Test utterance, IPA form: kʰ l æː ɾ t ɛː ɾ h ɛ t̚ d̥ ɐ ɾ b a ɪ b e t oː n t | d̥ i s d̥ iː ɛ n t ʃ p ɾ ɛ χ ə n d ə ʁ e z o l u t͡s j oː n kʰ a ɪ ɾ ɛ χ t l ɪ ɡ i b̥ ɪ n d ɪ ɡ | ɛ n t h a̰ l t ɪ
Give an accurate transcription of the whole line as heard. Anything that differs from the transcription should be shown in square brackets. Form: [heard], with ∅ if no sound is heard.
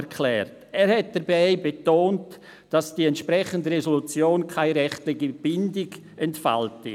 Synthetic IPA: kʰ l [ɛː] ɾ t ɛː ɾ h ɛ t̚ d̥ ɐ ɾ b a ɪ b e t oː n t | d̥ [a] s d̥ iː ɛ n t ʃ p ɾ ɛ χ ə n d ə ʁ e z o l u t͡s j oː n kʰ a ɪ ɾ ɛ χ t l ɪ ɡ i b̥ ɪ n d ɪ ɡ | ɛ n t [f] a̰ l t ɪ

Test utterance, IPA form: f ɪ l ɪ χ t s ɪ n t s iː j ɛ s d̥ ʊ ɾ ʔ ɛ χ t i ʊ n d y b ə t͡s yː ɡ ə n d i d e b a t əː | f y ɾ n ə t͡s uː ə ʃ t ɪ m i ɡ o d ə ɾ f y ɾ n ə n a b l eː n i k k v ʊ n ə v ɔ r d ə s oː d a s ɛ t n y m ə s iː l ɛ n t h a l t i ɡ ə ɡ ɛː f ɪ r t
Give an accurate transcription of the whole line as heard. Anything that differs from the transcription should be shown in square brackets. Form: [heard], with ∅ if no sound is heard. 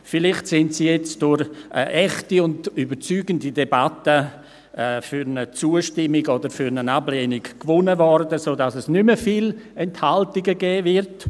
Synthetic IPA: f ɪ l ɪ χ t s ɪ n t s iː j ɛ [t͡s] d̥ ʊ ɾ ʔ ɛ χ t i ʊ n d y b ə t͡s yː ɡ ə n d i d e b a t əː | f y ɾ n ə t͡s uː ə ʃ t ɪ m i ɡ o d ə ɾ f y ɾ n ə n a b l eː n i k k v ʊ n ə v ɔ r d ə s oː d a s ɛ [s] n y m ə [f] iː l ɛ n t h a l t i ɡ ə ɡ ɛː [v] ɪ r t

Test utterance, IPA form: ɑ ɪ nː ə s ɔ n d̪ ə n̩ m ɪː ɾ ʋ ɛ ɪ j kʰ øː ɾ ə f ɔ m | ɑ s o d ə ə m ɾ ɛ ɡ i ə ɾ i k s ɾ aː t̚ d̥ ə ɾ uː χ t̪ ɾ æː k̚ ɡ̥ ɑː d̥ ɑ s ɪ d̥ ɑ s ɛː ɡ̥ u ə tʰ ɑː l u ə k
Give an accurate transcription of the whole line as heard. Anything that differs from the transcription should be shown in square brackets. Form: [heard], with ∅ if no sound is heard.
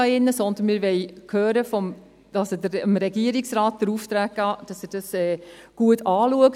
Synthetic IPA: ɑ ɪ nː ə s ɔ n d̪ ə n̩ m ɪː ɾ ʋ ɛ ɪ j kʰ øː ɾ ə f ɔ m | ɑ s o d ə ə m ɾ ɛ ɡ i ə ɾ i k s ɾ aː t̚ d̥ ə ɾ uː [f] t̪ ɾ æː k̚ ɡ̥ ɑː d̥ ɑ s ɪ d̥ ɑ s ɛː ɡ̥ u ə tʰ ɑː l u ə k

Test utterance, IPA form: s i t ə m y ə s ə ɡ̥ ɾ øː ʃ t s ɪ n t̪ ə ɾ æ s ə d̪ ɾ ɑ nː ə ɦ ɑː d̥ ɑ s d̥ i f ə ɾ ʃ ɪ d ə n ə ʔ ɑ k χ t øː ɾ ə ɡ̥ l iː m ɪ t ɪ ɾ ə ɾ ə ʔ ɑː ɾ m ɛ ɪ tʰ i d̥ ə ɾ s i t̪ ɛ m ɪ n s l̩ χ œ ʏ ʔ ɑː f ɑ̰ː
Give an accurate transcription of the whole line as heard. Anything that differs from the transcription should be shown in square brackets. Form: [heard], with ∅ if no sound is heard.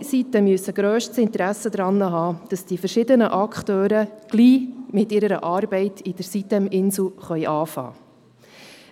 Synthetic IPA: s i t ə m y ə s ə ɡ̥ ɾ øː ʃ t s ɪ n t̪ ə ɾ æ s ə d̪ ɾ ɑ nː ə ɦ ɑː d̥ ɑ s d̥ i f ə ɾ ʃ ɪ d ə n ə ʔ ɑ k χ t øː ɾ ə ɡ̥ l iː m ɪ t ɪ ɾ ə ɾ ə ʔ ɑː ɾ [b] ɛ ɪ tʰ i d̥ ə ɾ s i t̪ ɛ m ɪ n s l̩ χ œ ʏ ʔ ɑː f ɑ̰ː

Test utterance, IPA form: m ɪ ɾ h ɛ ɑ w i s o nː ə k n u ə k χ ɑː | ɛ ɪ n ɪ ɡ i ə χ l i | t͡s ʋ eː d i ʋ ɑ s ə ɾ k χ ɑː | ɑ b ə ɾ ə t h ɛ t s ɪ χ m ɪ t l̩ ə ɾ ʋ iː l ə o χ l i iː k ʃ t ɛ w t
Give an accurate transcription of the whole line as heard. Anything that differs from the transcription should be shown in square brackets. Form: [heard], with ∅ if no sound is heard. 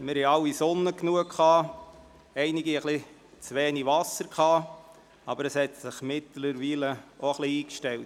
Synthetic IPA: m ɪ ɾ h ɛ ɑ w i s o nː ə k n u ə k χ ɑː | ɛ ɪ n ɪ ɡ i ə χ l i | t͡s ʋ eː [n] i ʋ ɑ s ə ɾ k χ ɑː | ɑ b ə ɾ ə [s] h ɛ t s ɪ χ m ɪ t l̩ ə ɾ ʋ iː l ə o χ l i iː k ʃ t ɛ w t

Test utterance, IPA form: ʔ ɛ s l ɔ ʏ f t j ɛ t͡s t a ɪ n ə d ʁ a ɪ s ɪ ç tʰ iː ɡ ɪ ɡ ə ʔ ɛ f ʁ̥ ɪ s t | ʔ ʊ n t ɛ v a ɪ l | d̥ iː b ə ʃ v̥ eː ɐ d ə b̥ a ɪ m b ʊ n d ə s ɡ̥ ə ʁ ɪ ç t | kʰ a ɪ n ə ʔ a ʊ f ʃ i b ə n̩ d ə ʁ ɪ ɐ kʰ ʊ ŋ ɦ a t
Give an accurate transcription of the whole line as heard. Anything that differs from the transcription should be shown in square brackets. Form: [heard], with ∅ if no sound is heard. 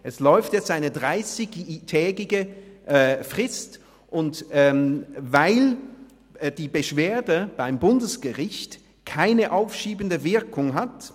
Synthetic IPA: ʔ ɛ s l ɔ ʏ f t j ɛ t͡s t a ɪ n ə d ʁ a ɪ s ɪ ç tʰ [ɛː] ɡ ɪ ɡ ə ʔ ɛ f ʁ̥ ɪ s t | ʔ ʊ n t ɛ v a ɪ l | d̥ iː b ə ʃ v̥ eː ɐ d ə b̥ a ɪ m b ʊ n d ə s ɡ̥ ə ʁ ɪ ç t | kʰ a ɪ n ə ʔ a ʊ f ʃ [iː] b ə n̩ d ə [v] ɪ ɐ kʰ ʊ ŋ ɦ a t

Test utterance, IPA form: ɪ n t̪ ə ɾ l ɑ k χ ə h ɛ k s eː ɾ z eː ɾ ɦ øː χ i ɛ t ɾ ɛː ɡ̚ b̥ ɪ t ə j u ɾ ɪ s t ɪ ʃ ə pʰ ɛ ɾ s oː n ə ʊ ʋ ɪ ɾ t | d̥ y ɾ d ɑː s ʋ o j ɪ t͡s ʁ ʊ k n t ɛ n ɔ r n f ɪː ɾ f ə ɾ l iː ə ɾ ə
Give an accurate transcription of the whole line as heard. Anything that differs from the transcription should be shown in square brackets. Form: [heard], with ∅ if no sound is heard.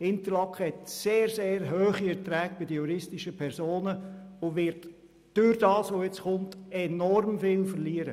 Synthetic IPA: ɪ n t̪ ə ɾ l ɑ k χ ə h ɛ [t] s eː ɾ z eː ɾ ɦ øː χ i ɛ t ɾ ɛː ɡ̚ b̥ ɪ [d] ə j u ɾ ɪ s t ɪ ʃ ə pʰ ɛ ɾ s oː n ə ʊ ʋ ɪ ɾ t | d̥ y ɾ d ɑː s ʋ o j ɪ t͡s [χ] ʊ [∅] n t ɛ n ɔ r [m] f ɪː [l] f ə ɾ l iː ə ɾ ə

